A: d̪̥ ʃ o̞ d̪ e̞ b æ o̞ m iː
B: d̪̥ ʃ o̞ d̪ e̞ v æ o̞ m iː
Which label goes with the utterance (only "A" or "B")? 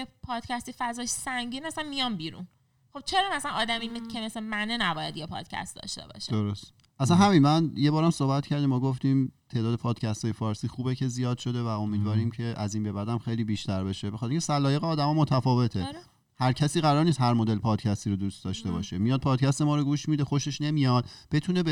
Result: B